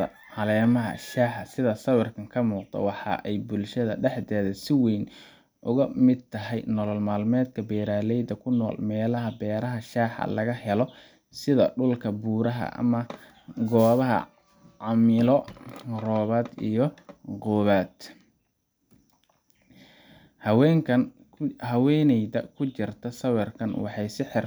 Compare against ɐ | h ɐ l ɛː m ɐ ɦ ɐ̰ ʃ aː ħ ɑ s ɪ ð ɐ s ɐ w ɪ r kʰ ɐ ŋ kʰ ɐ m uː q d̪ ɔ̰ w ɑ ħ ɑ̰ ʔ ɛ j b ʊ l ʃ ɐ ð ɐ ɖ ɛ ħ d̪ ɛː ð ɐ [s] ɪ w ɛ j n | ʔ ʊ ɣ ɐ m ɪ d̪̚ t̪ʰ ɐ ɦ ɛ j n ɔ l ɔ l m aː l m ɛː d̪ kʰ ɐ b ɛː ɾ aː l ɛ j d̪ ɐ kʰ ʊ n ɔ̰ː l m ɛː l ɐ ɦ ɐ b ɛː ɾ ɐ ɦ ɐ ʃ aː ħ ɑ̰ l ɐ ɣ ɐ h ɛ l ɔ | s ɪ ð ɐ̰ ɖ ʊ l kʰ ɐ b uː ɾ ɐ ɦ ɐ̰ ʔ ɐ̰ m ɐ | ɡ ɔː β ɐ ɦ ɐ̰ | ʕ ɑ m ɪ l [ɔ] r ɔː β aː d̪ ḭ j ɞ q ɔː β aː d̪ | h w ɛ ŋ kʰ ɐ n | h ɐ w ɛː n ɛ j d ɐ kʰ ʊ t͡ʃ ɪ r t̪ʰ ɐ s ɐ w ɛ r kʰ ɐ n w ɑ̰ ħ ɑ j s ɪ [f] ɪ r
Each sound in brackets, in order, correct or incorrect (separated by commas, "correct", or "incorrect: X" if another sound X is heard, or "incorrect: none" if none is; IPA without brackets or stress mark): correct, correct, incorrect: ħ